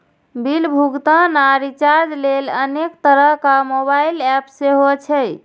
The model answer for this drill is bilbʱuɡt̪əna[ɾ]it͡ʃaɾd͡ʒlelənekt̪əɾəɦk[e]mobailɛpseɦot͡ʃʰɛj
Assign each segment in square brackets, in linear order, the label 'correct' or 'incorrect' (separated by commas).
correct, incorrect